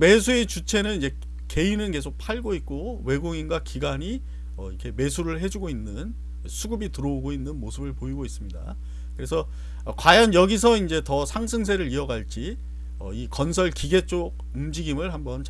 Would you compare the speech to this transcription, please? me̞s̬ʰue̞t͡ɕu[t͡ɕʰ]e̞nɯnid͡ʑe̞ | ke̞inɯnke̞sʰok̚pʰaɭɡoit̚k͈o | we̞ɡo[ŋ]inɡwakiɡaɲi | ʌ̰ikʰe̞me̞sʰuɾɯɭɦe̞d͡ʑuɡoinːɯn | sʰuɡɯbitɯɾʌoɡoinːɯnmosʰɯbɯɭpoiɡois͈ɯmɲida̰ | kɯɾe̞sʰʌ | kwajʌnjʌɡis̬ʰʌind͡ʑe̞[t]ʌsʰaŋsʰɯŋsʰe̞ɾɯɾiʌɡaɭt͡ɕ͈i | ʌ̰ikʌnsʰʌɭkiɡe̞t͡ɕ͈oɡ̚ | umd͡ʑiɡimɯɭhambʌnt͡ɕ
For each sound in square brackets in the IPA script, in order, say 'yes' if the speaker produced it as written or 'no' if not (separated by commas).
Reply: yes, yes, yes